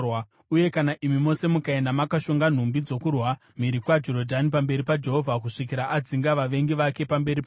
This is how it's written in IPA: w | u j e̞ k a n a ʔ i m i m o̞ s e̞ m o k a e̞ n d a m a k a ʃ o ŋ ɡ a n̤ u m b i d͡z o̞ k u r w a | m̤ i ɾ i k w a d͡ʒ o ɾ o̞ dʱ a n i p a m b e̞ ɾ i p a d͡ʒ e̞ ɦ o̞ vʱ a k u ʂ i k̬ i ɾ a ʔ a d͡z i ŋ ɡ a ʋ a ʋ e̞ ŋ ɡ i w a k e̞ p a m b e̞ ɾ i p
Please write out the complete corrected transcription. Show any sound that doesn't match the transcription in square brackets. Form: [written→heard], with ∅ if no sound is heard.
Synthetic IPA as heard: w | u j e̞ k a n a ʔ i m i m o̞ s e̞ m [o→u] k a e̞ n d a m a k a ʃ o ŋ ɡ a n̤ u m b i d͡z o̞ k u r w a | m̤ i ɾ i k w a d͡ʒ o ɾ o̞ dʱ a n i p a m b e̞ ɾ i p a d͡ʒ e̞ ɦ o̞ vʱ a k u ʂ i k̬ i ɾ a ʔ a d͡z i ŋ ɡ a ʋ a ʋ e̞ ŋ ɡ i [w→ʋ] a k e̞ p a m b e̞ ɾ i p

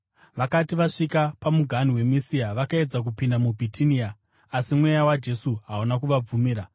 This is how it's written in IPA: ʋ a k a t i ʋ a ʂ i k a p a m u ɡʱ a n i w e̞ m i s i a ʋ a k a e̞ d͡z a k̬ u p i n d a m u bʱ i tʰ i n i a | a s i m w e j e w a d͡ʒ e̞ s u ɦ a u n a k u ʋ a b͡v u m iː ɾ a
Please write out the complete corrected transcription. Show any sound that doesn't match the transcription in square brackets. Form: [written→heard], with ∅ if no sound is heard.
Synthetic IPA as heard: ʋ a k a t i ʋ a ʂ i k a p a m u ɡʱ a n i w e̞ m i s i a ʋ a k a e̞ d͡z a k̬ u p i n d a m u bʱ i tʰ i n i a | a s i m w e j [e→a] w a d͡ʒ e̞ s u ɦ a u n a k u ʋ a b͡v u m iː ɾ a

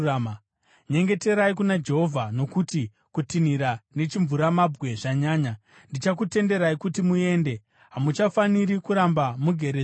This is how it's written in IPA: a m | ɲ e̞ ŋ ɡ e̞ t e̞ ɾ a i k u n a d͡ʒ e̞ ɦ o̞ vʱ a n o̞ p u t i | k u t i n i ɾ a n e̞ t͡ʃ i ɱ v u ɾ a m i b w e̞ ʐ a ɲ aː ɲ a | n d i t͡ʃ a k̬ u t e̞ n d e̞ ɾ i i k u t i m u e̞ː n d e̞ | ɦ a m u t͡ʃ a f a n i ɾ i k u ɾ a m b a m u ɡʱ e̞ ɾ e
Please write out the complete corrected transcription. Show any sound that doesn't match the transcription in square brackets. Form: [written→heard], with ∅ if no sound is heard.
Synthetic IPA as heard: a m | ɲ e̞ ŋ ɡ e̞ t e̞ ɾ a i k u n a d͡ʒ e̞ ɦ o̞ vʱ a n o̞ [p→k] u t i | k u t i n i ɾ a n e̞ t͡ʃ i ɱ v u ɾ a m [i→a] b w e̞ ʐ a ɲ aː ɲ a | n d i t͡ʃ a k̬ u t e̞ n d e̞ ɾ [i→a] i k u t i m u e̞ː n d e̞ | ɦ a m u t͡ʃ a f a n i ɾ i k u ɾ a m b a m u ɡʱ e̞ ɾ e

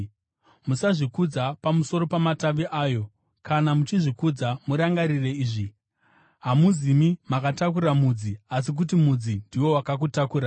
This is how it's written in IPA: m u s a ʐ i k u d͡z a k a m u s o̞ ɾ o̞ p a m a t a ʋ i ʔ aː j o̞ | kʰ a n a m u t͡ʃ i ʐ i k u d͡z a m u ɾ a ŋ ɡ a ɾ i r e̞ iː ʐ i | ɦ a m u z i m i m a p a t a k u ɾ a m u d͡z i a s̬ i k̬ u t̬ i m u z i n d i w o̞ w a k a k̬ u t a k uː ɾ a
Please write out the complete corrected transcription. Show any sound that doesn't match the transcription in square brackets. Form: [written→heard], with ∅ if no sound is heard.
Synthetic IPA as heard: m u s a ʐ i k u d͡z a [k→p] a m u s o̞ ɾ o̞ p a m a t a ʋ i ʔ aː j o̞ | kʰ a n a m u t͡ʃ i ʐ i k u d͡z a m u ɾ a ŋ ɡ a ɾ i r e̞ iː ʐ i | ɦ a m u z i m i m a [p→k] a t a k u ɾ a m u d͡z i a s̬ i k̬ u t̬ i m u [z→d͡z] i n d i w o̞ w a k a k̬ u t a k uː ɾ a

